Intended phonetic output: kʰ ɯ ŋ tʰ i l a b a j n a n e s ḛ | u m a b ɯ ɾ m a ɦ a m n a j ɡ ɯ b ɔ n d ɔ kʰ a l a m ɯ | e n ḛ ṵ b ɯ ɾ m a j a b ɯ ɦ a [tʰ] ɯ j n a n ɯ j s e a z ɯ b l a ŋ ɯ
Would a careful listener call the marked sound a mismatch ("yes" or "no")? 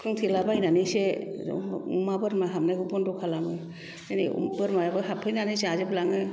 yes